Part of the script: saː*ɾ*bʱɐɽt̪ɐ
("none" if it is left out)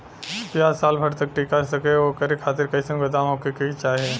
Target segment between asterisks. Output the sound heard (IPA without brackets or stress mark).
l